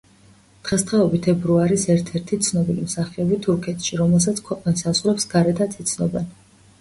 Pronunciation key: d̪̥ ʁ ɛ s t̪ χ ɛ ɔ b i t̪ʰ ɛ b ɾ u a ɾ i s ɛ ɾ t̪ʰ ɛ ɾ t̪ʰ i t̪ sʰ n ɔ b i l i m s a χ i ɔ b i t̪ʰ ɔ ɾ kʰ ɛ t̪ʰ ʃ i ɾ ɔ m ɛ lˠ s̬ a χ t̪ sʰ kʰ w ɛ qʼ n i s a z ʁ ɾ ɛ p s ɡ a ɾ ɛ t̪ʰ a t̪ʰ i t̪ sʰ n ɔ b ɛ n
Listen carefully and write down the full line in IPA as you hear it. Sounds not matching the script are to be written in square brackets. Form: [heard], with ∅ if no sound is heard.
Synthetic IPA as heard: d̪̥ ʁ ɛ s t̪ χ ɛ ɔ b i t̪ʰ ɛ b ɾ u a ɾ i s ɛ ɾ t̪ʰ ɛ ɾ t̪ʰ i t̪ sʰ n ɔ b i l i m s a χ i ɔ b i t̪ʰ [u] ɾ kʰ ɛ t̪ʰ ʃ i ɾ ɔ m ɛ lˠ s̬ a [∅] t̪ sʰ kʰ w ɛ qʼ n i s a z ʁ ɾ ɛ p s ɡ a ɾ ɛ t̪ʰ a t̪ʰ i t̪ sʰ n ɔ b ɛ n